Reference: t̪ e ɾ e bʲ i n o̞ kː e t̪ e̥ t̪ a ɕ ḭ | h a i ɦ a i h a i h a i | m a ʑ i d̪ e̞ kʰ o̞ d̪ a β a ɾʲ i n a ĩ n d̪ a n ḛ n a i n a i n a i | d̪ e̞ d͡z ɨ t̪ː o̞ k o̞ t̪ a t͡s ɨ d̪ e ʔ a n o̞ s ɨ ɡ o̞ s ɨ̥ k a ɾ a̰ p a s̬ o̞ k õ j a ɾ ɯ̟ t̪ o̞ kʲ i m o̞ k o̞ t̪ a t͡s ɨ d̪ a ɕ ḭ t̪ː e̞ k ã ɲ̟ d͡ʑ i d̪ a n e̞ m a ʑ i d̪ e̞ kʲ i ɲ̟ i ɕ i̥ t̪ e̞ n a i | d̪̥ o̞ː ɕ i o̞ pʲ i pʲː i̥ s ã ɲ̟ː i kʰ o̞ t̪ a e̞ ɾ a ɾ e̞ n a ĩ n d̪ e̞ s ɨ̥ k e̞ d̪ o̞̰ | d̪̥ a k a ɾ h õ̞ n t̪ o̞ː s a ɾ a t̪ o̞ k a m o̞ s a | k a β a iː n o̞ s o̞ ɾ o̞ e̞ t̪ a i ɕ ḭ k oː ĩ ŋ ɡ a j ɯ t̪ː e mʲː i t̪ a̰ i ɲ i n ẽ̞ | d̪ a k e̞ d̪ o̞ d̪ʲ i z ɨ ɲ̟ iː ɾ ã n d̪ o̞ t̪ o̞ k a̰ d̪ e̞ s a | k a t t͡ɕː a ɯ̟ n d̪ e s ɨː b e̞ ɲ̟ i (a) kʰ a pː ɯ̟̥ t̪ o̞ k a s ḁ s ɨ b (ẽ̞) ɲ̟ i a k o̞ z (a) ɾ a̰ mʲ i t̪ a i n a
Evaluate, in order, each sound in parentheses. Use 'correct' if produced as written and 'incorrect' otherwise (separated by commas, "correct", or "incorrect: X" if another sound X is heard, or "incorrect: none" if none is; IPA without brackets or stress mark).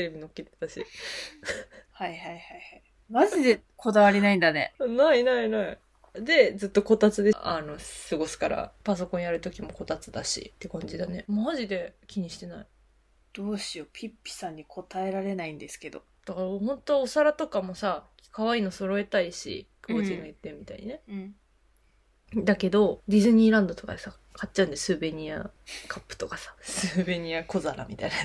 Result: correct, incorrect: e̞, correct